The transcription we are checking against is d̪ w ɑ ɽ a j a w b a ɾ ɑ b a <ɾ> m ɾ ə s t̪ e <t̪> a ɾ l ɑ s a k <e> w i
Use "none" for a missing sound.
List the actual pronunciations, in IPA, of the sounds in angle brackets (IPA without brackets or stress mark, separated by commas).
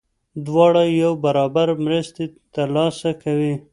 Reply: ɾ, t̪, a